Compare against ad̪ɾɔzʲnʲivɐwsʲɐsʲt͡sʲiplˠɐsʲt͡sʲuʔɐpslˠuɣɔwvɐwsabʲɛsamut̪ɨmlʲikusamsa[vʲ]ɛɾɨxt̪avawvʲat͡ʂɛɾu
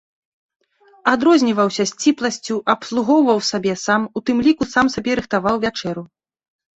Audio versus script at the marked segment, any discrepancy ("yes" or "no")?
yes